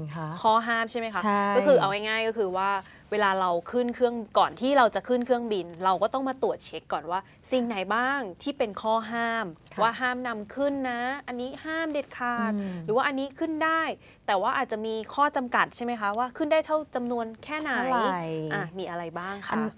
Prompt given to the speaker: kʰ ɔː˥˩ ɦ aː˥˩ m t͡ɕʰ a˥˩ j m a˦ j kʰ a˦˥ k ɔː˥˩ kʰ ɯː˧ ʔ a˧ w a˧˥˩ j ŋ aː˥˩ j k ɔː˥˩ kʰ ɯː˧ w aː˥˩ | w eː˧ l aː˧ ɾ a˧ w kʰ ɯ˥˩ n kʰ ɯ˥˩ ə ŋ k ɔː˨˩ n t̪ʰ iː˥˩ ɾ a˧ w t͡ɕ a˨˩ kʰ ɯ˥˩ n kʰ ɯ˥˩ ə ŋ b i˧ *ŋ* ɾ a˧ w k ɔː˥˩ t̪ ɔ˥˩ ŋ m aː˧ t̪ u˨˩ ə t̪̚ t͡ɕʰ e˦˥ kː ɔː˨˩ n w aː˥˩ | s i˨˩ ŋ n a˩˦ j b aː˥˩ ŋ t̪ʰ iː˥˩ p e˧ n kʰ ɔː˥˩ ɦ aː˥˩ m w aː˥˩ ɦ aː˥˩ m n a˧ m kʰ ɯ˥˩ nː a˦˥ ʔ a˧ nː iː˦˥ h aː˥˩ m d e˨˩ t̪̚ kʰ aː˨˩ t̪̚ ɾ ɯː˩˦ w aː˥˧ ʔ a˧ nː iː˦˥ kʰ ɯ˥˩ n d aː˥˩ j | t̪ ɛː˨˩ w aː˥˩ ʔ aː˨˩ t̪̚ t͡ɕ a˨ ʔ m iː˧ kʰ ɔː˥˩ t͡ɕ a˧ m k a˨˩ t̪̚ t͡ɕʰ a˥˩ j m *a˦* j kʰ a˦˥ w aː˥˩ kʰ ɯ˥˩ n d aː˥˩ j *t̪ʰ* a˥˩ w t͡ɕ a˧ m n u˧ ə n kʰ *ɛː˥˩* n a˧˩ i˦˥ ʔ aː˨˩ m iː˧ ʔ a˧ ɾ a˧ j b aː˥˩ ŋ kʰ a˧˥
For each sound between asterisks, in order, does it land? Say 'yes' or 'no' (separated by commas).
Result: no, yes, yes, yes